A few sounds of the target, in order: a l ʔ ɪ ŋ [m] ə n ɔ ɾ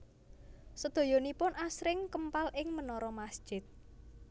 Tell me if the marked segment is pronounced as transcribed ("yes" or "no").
yes